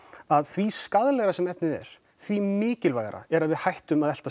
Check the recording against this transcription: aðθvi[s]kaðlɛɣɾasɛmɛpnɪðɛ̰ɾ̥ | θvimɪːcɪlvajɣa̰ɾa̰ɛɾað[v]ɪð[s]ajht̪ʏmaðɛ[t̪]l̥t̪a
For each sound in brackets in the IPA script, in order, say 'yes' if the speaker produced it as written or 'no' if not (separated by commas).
yes, yes, no, no